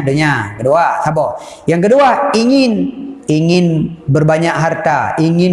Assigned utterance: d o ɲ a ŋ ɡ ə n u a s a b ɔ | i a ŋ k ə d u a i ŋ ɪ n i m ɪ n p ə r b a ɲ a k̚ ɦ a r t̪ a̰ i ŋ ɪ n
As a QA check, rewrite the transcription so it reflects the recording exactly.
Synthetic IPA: d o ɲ a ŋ k ə d u a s a b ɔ | j a ŋ k ə d u a i ŋ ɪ n i ŋ ɪ n b ə r b a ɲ a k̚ ɦ a r t̪ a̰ i ŋ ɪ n

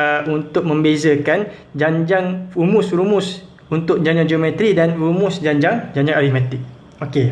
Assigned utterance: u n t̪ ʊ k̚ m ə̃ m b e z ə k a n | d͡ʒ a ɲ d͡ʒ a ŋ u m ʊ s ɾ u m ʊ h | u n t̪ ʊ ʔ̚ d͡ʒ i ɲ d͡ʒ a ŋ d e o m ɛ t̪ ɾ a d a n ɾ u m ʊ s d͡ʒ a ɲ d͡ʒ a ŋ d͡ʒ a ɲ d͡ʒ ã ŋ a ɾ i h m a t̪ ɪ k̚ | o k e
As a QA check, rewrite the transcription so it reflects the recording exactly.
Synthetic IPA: u n t̪ ʊ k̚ m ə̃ m b e z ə k a n | d͡ʒ a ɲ d͡ʒ a ŋ u m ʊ s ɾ u m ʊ s | u n t̪ ʊ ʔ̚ d͡ʒ a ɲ d͡ʒ a ŋ d͡ʒ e o m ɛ t̪ ɾ i d a n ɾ u m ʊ s d͡ʒ a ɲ d͡ʒ a ŋ d͡ʒ a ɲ d͡ʒ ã ŋ a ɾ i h m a t̪ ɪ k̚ | o k e

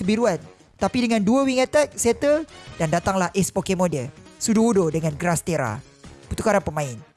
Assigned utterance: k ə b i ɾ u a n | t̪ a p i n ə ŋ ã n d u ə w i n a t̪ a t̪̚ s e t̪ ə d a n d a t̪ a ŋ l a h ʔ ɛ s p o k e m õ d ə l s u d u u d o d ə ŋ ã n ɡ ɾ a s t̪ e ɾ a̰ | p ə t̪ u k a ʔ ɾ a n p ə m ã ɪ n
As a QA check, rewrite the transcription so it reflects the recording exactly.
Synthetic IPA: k ə b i ɾ u a n | t̪ a p i d ə ŋ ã n d u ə w i ŋ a t̪ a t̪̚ s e t̪ ə d a n d a t̪ a ŋ l a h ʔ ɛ s p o k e m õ d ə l s u d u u d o d ə ŋ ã n ɡ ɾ a s t̪ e ɾ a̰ | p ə t̪ u k a ɾ a n p ə m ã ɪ n

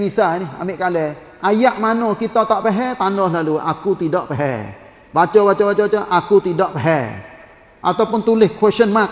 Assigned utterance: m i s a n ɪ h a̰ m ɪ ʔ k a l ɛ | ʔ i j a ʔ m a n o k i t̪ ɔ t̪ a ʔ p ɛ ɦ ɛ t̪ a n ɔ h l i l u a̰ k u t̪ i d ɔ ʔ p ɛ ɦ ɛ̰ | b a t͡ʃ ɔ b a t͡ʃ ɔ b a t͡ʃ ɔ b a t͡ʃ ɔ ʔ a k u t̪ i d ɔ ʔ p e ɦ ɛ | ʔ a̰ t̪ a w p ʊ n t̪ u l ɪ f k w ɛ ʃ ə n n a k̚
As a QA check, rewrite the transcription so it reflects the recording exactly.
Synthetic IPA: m i s a n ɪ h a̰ m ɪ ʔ k a l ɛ | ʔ a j a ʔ m a n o k i t̪ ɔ t̪ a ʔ p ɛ ɦ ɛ t̪ a n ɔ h l a l u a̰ k u t̪ i d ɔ ʔ p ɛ ɦ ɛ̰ | b a t͡ʃ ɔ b a t͡ʃ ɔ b a t͡ʃ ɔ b a t͡ʃ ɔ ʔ a k u t̪ i d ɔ ʔ p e ɦ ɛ | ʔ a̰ t̪ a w p ʊ n t̪ u l ɪ h k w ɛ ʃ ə n m a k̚

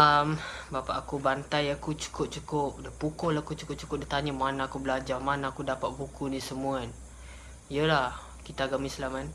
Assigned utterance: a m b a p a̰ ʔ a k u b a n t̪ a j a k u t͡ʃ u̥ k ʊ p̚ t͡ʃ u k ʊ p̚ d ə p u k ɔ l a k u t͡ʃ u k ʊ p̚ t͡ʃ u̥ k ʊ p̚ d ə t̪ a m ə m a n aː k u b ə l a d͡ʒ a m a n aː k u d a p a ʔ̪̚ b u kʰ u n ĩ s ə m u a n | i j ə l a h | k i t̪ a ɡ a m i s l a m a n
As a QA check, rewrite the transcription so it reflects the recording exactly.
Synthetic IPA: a m b a p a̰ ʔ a k u b a n t̪ a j a k u t͡ʃ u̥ k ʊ p̚ t͡ʃ u k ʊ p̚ d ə p u k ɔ l a k u t͡ʃ u k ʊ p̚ t͡ʃ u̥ k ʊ p̚ d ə t̪ a ɲ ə m a n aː k u b ə l a d͡ʒ a m a n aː k u d a p a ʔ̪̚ b u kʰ u n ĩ s ə m u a n | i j ə l a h | k i t̪ a ɡ a m i s l a m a n

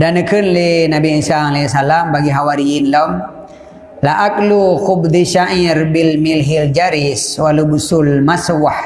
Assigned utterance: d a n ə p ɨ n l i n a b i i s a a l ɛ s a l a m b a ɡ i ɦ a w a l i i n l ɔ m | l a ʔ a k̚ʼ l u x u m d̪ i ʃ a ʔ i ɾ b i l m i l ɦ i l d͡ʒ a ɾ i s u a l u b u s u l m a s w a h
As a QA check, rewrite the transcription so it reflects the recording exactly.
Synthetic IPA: d a n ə k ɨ n l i n a b i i s a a l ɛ s a l a m b a ɡ i ɦ a w a ɾ i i n l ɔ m | l a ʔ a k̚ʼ l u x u b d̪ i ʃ a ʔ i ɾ b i l m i l ɦ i l d͡ʒ a ɾ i s w a l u b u s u l m a s w a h

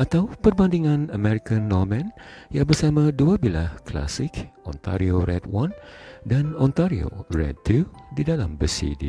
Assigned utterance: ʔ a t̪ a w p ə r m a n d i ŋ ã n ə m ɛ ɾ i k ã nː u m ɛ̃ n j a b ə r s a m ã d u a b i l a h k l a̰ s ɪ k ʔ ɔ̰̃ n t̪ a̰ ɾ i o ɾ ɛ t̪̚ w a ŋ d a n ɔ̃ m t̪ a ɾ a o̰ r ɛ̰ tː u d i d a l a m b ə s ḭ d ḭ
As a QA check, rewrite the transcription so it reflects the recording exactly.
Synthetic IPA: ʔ a t̪ a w p ə r b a n d i ŋ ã n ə m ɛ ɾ i k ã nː ɔ m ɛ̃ n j a b ə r s a m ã d u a b i l a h k l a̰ s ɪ k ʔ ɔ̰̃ n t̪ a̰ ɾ i o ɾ ɛ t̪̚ w a n d a n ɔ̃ n t̪ a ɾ i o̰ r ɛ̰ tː u d i d a l a m b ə s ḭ d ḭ

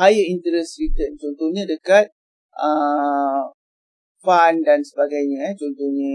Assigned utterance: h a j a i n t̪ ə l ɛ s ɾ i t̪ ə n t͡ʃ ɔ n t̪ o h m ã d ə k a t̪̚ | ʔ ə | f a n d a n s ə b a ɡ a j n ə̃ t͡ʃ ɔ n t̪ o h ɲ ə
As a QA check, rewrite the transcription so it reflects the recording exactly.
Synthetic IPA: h a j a i n t̪ ə ɾ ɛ s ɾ i t̪ ə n t͡ʃ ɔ n t̪ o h ɲ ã d ə k a t̪̚ | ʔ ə | f a n d a n s ə b a ɡ a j ɲ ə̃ t͡ʃ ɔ n t̪ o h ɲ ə

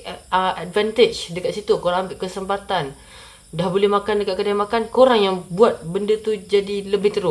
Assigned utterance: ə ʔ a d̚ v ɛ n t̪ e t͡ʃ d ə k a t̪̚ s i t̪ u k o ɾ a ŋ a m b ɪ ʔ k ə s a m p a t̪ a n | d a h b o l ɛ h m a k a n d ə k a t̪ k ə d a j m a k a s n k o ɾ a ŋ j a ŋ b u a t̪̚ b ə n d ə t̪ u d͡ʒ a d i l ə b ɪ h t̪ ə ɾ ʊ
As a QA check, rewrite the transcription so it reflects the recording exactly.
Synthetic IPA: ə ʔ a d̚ v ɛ n t̪ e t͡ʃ d ə k a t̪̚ s i t̪ u k o ɾ a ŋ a m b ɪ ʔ k ə s ə m p a t̪ a n | d a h b o l ɛ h m a k a n d ə k a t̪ k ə d a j m a k a n k o ɾ a ŋ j a ŋ b u a t̪̚ b ə n d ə t̪ u d͡ʒ a d i l ə b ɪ h t̪ ə ɾ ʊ

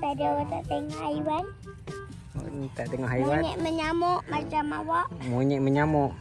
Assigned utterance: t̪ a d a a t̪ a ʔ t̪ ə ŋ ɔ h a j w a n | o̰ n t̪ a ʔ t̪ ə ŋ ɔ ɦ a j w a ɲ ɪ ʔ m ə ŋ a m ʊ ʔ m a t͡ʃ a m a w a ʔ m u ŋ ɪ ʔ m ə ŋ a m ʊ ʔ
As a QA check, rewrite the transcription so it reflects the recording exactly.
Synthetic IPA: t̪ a d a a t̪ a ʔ t̪ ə ŋ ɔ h a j w a n | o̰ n t̪ a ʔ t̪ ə ŋ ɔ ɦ a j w a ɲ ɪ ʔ m ə ɲ a m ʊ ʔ m a t͡ʃ a m a w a ʔ m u ɲ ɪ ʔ m ə ɲ a m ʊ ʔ

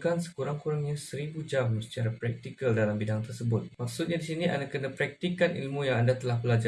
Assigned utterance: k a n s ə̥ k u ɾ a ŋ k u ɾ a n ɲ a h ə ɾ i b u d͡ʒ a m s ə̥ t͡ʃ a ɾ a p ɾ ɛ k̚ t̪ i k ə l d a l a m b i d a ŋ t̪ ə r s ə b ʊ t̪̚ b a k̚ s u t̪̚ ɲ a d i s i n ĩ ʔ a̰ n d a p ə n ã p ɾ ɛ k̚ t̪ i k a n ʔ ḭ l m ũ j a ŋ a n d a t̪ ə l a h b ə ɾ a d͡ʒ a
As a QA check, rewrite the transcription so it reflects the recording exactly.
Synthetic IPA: k a n s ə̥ k u ɾ a ŋ k u ɾ a ŋ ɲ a s ə ɾ i b u d͡ʒ a m s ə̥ t͡ʃ a ɾ a p ɾ ɛ k̚ t̪ i k ə l d a l a m b i d a ŋ t̪ ə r s ə b ʊ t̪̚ m a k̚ s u t̪̚ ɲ a d i s i n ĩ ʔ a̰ n d a k ə n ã p ɾ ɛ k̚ t̪ i k a n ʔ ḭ l m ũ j a ŋ a n d a t̪ ə l a h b ə l a d͡ʒ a

